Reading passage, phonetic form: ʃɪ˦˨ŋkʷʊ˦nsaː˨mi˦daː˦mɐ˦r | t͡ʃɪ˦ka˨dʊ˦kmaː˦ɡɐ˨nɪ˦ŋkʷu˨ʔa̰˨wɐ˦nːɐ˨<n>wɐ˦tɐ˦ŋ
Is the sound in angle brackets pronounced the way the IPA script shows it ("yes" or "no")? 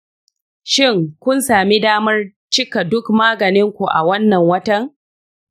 no